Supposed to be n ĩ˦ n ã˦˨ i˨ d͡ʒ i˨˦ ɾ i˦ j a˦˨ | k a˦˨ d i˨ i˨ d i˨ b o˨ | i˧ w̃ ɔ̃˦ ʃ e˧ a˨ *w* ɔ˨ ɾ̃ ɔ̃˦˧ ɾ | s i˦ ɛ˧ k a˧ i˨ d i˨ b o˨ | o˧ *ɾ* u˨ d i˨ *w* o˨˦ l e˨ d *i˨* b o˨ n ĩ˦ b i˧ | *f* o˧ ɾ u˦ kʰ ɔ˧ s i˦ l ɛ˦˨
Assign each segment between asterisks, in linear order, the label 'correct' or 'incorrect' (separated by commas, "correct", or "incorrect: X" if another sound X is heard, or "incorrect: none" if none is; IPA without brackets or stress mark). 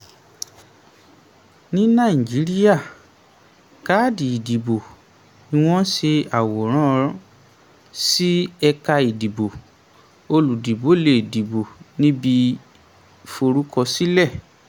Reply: correct, incorrect: l, incorrect: b, correct, correct